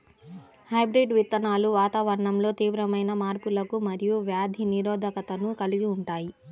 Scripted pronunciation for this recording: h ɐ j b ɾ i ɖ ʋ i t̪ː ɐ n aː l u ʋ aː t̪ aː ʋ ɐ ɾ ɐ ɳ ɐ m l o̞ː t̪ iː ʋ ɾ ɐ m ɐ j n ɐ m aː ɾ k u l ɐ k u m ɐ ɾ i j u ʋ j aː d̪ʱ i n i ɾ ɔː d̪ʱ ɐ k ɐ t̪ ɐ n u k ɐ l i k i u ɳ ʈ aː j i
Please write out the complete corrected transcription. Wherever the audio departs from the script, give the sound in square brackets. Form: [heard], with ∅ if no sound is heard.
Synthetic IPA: h ɐ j b ɾ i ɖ ʋ i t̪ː ɐ n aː l u ʋ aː t̪ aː ʋ ɐ ɾ ɐ ɳ ɐ m l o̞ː t̪ iː ʋ ɾ ɐ m ɐ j n ɐ m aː ɾ [p] u l ɐ k u m ɐ ɾ i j u ʋ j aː d̪ʱ i n i ɾ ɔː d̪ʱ ɐ k ɐ t̪ ɐ n u k ɐ l i [ɡ] i u ɳ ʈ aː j i

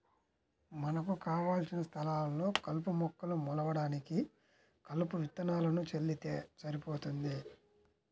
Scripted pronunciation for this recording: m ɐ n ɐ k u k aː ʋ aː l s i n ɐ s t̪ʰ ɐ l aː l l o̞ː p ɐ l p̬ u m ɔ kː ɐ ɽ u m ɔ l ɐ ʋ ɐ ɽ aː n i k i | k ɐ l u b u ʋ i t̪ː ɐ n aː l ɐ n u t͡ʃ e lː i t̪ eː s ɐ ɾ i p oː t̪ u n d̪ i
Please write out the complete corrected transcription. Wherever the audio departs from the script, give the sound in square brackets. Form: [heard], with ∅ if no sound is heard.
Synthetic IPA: m ɐ n ɐ k u k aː ʋ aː l s i n ɐ s t̪ʰ ɐ l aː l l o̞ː [k] ɐ l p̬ u m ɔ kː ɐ [l] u m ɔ l ɐ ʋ ɐ ɽ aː n i k i | k ɐ l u [p] u ʋ i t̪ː ɐ n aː l ɐ n u t͡ʃ e lː i t̪ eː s ɐ ɾ i p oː t̪ u n d̪ i

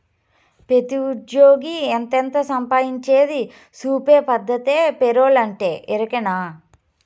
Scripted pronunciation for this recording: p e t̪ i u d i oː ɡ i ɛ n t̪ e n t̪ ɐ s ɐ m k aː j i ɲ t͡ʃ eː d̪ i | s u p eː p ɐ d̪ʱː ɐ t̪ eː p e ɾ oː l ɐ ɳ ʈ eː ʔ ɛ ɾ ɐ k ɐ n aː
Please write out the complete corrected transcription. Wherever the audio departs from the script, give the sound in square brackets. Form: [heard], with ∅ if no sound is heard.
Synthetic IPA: p e t̪ i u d [j] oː ɡ i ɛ n t̪ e n t̪ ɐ s ɐ m [p] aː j i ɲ t͡ʃ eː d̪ i | s [uː] p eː p ɐ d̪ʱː ɐ t̪ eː p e ɾ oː l ɐ ɳ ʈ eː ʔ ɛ ɾ ɐ k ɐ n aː

